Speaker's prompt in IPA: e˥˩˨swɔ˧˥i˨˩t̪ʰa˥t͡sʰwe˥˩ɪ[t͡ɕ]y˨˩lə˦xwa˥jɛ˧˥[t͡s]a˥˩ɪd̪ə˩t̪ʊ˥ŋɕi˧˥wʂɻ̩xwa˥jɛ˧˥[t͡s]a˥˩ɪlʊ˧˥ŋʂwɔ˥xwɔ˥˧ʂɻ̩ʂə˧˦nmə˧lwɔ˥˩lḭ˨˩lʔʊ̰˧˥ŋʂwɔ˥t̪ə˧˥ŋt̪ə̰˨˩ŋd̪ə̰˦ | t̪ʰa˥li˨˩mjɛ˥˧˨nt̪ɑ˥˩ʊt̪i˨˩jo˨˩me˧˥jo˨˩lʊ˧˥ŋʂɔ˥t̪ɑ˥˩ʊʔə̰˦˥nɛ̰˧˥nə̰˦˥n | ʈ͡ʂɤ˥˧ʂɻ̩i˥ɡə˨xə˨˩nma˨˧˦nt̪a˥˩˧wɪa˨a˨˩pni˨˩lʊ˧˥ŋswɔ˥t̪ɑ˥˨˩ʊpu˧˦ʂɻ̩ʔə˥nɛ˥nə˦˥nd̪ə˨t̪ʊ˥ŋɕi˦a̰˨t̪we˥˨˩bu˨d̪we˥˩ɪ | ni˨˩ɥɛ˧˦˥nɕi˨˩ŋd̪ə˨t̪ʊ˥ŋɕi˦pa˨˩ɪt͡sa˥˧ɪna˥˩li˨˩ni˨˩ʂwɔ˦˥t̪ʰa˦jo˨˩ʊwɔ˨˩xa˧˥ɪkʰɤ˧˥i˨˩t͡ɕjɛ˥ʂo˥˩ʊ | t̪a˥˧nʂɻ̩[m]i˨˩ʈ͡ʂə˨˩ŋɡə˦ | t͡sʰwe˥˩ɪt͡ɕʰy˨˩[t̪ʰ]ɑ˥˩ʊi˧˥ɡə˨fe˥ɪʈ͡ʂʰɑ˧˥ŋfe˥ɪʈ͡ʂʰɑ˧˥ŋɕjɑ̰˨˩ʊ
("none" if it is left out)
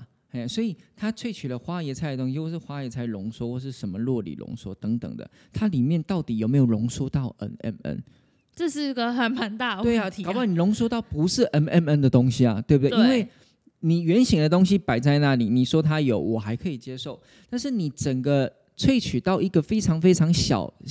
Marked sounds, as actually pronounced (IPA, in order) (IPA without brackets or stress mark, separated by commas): t͡ɕʰ, t͡sʰ, t͡sʰ, n, t̪